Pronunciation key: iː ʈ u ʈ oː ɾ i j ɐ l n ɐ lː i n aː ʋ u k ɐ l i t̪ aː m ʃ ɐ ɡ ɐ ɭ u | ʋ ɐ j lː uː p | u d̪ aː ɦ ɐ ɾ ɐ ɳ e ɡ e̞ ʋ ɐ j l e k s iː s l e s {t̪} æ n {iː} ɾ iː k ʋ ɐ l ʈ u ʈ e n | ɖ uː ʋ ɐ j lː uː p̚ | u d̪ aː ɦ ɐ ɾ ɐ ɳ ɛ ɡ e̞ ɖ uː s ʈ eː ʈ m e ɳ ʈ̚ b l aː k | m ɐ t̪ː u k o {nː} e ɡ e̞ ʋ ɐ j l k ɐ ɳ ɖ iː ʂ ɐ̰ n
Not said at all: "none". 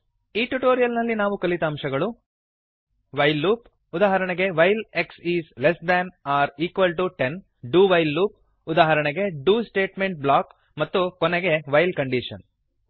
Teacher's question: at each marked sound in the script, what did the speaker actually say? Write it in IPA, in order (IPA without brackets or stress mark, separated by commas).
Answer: d̪, aː, n